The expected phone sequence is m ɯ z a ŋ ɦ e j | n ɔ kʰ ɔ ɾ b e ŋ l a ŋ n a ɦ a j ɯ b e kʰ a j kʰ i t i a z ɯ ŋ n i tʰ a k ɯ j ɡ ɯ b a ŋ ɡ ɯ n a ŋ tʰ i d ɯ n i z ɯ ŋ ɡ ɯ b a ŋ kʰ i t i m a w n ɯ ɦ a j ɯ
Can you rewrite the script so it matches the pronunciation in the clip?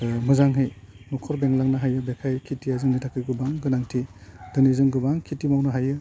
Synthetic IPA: m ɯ z a ŋ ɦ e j | n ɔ kʰ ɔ ɾ b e ŋ l a ŋ n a ɦ a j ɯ b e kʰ a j kʰ i t i a z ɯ ŋ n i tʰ a k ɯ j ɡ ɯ b a ŋ ɡ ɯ n a ŋ tʰ i d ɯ n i z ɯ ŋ ɡ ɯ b a ŋ kʰ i t i m a w n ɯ ɦ a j ɯ